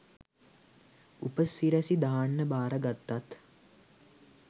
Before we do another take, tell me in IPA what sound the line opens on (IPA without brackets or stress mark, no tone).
u